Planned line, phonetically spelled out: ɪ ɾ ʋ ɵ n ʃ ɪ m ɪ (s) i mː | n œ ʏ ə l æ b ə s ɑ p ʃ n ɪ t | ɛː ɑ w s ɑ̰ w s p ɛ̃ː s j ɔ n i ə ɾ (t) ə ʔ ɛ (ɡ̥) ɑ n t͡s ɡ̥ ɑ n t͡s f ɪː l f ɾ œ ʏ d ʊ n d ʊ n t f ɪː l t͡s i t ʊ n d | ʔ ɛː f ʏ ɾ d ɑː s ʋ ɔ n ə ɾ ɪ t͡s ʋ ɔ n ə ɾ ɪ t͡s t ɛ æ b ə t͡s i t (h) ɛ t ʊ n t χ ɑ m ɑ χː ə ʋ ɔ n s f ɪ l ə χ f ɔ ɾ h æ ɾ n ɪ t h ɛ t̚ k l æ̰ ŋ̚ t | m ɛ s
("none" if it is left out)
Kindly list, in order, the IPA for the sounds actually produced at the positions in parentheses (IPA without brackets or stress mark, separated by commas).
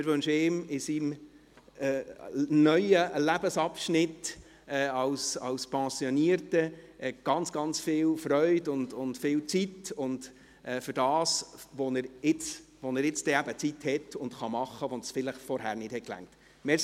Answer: s, t, ɡ̥, h